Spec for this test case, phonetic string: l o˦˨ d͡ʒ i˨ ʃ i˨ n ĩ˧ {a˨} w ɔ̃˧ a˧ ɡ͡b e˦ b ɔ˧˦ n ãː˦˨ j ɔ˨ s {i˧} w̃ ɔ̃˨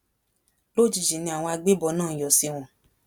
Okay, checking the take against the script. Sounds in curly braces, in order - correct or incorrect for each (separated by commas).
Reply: correct, correct